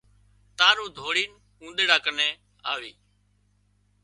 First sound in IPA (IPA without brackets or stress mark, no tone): t̪